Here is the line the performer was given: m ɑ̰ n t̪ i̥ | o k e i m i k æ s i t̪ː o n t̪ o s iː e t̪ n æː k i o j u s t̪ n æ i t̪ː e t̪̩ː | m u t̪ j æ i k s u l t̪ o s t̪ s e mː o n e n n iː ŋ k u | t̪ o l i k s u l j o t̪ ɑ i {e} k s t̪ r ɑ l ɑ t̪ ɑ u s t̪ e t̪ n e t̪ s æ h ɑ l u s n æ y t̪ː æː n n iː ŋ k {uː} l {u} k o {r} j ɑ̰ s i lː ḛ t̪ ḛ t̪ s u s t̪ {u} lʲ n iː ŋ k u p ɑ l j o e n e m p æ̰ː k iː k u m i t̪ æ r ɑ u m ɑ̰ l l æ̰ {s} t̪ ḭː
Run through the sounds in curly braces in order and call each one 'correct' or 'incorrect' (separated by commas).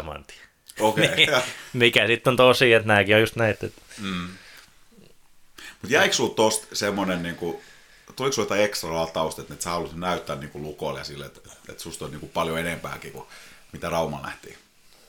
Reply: correct, incorrect, correct, incorrect, incorrect, incorrect